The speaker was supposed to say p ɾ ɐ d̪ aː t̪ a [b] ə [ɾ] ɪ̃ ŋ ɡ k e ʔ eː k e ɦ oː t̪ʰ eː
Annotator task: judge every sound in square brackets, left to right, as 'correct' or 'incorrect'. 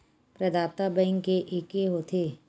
correct, incorrect

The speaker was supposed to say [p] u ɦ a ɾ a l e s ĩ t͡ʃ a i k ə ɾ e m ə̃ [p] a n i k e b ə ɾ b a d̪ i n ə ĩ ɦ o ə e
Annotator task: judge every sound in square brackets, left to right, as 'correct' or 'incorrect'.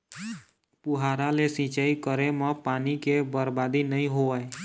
correct, correct

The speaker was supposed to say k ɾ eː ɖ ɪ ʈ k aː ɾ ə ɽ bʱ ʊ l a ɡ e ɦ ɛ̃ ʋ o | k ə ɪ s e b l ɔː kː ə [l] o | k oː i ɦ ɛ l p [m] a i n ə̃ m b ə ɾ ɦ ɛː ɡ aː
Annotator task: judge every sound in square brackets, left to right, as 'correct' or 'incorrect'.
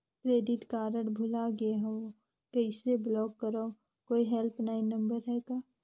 incorrect, incorrect

